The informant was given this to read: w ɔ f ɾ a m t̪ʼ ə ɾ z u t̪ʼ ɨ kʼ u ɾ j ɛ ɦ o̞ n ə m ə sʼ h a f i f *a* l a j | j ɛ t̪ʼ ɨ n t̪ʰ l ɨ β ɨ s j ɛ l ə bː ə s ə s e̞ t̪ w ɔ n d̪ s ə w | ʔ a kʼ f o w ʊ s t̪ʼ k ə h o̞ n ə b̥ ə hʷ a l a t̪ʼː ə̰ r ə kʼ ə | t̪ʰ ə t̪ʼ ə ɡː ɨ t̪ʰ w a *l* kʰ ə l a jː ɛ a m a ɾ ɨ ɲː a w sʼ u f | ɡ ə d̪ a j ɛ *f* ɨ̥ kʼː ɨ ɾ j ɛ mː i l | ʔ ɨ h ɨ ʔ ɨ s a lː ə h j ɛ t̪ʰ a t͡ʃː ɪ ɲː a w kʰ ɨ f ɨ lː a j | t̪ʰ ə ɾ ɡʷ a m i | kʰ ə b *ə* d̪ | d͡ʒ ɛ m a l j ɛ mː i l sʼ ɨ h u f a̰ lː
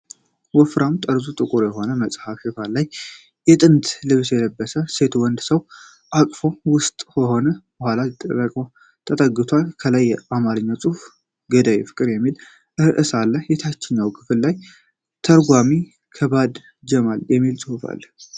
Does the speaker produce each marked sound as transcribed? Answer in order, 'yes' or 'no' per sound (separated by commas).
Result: yes, yes, yes, no